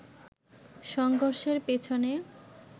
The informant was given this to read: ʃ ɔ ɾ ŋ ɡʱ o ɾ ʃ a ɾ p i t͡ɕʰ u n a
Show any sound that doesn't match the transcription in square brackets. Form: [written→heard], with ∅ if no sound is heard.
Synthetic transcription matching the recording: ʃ ɔ [ɾ→∅] ŋ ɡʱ o ɾ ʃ [a→e] ɾ p [i→e] t͡ɕʰ [u→o] n [a→e]